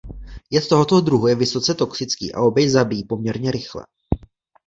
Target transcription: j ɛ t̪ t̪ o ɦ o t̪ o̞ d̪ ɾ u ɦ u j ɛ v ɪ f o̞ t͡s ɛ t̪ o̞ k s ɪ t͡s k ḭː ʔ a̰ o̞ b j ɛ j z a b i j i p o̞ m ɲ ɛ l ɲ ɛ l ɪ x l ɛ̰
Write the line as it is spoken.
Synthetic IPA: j ɛ t̪ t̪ o ɦ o t̪ o̞ d̪ ɾ u ɦ u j ɛ v ɪ s o̞ t͡s ɛ t̪ o̞ k s ɪ t͡s k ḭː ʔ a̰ o̞ b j ɛ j z a b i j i p o̞ m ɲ ɛ ɾ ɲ ɛ ɾ ɪ x l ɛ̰